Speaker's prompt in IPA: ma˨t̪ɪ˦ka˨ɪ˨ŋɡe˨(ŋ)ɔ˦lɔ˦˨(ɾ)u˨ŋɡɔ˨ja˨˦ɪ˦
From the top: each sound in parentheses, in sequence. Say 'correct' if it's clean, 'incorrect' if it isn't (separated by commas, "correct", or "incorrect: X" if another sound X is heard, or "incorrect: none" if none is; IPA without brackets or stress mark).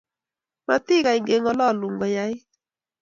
correct, incorrect: l